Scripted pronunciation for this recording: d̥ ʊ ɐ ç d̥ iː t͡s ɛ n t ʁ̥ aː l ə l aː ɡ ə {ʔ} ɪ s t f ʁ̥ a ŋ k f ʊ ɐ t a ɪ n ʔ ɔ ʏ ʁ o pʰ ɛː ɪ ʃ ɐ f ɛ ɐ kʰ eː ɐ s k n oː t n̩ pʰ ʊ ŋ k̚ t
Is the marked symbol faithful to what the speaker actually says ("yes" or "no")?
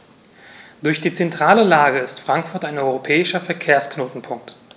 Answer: no